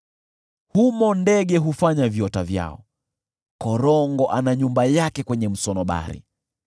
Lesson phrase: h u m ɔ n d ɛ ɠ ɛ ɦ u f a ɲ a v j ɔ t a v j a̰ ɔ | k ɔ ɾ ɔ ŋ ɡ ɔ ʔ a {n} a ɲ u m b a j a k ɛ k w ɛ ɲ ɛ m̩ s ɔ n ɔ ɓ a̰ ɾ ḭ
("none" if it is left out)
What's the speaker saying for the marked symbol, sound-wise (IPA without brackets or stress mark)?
n